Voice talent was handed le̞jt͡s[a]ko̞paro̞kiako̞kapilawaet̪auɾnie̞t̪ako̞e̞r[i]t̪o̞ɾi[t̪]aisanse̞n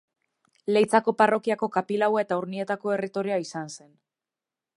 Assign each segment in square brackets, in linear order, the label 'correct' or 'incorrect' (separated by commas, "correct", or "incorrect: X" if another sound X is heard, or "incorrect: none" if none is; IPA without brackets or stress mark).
correct, correct, incorrect: none